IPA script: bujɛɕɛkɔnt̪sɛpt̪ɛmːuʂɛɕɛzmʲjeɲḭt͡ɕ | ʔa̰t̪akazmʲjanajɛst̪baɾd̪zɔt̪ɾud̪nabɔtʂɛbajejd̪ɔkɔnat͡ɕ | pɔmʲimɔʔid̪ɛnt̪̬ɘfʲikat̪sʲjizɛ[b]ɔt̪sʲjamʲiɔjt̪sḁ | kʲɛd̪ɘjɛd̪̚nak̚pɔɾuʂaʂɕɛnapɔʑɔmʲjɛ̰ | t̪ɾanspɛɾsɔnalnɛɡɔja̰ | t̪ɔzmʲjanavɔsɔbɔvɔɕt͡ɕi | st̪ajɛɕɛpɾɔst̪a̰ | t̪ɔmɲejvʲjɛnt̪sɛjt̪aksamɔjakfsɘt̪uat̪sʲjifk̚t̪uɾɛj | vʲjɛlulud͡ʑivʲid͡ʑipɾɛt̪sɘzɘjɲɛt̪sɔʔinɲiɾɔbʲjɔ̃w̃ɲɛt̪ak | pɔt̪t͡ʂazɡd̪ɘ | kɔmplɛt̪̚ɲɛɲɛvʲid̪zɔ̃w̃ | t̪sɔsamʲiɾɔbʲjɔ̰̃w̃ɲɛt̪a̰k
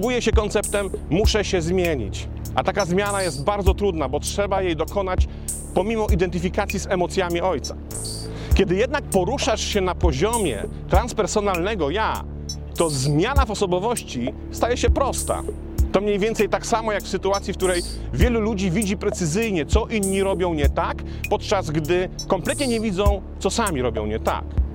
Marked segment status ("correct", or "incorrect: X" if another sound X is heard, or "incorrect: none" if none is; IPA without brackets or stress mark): incorrect: m